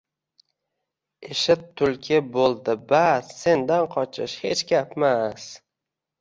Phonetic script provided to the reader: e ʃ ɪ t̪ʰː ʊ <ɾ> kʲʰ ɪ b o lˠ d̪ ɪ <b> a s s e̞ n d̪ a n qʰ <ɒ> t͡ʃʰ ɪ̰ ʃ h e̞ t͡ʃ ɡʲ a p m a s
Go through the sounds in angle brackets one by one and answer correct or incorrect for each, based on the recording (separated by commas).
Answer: incorrect, correct, correct